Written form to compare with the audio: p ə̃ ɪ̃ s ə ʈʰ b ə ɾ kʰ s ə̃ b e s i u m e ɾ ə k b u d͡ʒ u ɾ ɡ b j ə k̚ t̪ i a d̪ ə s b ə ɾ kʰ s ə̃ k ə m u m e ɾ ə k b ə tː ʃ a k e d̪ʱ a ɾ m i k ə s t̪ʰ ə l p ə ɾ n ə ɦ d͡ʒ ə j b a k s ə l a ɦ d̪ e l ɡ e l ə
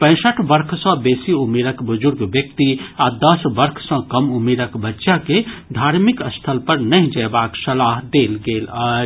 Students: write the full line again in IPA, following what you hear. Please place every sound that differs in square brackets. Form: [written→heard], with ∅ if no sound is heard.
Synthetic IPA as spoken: p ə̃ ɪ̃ s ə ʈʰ b ə ɾ kʰ s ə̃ b e s i u m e ɾ ə k b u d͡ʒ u ɾ ɡ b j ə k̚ t̪ i a d̪ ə s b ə ɾ kʰ s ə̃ k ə m u m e ɾ ə k b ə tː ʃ a k e d̪ʱ a ɾ m i k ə s t̪ʰ ə l p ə ɾ n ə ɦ d͡ʒ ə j b a k s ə l a ɦ d̪ e l ɡ e l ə